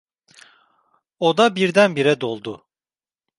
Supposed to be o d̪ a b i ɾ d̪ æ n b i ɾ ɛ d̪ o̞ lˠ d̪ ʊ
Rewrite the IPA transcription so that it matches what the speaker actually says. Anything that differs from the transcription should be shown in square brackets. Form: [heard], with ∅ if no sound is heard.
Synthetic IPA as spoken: o d̪ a b i ɾ d̪ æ n b i ɾ ɛ d̪ o̞ lˠ d̪ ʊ